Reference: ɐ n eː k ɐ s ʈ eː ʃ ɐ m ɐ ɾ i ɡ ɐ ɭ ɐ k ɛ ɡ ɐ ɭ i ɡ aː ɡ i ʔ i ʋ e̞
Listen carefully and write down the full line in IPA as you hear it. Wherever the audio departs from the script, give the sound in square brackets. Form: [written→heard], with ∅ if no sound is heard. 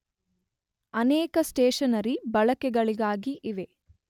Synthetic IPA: ɐ n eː k ɐ s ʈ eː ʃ ɐ [m→n] ɐ ɾ i [ɡ→b] ɐ ɭ ɐ k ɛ ɡ ɐ ɭ i ɡ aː ɡ i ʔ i ʋ e̞